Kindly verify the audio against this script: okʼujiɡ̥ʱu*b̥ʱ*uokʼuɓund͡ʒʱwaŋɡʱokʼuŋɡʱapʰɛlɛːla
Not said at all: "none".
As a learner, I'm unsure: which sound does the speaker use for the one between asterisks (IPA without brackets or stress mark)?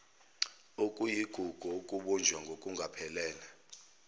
ɡ̥ʱ